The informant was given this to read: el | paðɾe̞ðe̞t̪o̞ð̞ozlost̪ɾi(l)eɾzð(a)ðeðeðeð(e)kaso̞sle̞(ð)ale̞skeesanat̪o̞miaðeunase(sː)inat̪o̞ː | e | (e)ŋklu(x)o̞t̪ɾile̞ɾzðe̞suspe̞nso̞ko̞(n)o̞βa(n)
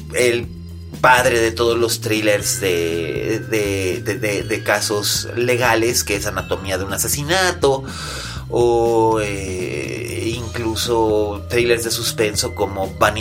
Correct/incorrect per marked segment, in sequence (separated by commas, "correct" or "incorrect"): correct, incorrect, correct, incorrect, incorrect, incorrect, incorrect, incorrect, correct